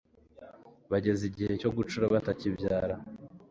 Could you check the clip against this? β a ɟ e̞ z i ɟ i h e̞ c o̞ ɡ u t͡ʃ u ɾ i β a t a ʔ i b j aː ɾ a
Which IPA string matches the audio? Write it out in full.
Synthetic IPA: β a ɟ e̞ z i ɟ i h e̞ c o̞ ɡ u t͡ʃ u ɾ a β a t a c i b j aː ɾ a

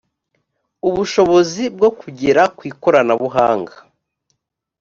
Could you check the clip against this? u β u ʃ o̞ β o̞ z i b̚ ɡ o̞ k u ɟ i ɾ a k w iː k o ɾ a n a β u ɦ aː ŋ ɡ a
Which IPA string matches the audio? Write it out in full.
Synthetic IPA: u β u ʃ o̞ β o̞ z i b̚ ɡ o̞ k u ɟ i ɾ a k w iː k o ɾ a n a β u ɦ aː ŋ ɡ a

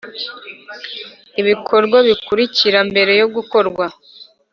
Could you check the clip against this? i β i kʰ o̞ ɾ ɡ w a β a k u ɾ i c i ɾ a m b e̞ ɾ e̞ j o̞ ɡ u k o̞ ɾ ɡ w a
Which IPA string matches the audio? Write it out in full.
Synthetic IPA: i β i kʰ o̞ ɾ ɡ w a β i k u ɾ i c i ɾ a m b e̞ ɾ e̞ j o̞ ɡ u k o̞ ɾ ɡ w a

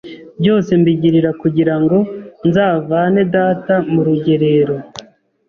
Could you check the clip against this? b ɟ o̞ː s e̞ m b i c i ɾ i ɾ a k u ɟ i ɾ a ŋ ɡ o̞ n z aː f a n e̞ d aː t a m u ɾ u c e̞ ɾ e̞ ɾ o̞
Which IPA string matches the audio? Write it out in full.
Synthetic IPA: b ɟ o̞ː s e̞ m b i ɟ i ɾ i ɾ a k u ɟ i ɾ a ŋ ɡ o̞ n z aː v a n e̞ d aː t a m u ɾ u ɟ e̞ ɾ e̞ ɾ o̞

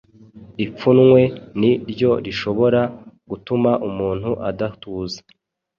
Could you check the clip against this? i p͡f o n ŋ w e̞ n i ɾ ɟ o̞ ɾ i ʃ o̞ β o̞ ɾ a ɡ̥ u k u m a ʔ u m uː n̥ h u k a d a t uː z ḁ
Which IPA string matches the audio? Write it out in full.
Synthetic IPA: i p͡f u n ŋ w e̞ n i ɾ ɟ o̞ ɾ i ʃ o̞ β o̞ ɾ a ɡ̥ u t u m a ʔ u m uː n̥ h u ʔ a d a t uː z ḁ

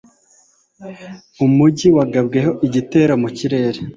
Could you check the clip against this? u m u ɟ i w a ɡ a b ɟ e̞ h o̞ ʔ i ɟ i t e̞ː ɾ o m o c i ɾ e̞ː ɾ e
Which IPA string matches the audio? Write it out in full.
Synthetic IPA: u m u ɟ i w a ɡ a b ɡ e̞ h o̞ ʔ i ɟ i t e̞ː ɾ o m u c i ɾ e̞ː ɾ e

